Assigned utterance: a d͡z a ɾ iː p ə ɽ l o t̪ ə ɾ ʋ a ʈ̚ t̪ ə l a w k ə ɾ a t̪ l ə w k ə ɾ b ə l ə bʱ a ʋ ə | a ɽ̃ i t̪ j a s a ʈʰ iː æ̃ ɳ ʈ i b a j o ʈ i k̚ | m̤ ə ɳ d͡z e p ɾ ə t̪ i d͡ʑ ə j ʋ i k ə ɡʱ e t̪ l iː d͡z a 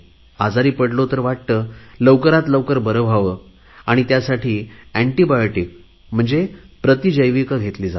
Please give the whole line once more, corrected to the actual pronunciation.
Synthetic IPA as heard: a d͡z a ɾ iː p ə ɽ l o t̪ ə ɾ ʋ a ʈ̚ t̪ ə l ə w k ə ɾ a t̪ l ə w k ə ɾ b ə ɾ ə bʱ a ʋ ə | a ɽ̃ i t̪ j a s a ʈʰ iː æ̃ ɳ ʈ i b a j o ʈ i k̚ | m̤ ə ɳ d͡z e p ɾ ə t̪ i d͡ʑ ə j ʋ i k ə ɡʱ e t̪ l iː d͡z a